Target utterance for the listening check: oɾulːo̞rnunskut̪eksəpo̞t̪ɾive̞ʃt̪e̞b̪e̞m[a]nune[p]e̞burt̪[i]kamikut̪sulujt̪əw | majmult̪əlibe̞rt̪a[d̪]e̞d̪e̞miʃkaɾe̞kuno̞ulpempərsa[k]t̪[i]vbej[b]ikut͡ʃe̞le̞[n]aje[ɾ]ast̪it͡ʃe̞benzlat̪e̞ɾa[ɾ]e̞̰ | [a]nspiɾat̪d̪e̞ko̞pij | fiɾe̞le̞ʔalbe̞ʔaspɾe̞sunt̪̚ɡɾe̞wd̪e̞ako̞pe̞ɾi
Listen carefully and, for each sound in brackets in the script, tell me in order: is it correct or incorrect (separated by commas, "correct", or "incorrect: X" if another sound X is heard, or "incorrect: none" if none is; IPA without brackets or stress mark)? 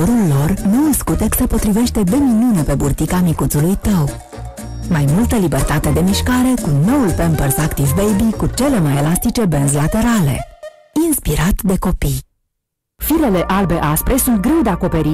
incorrect: i, correct, correct, incorrect: t̪, correct, correct, correct, incorrect: m, incorrect: l, incorrect: l, incorrect: i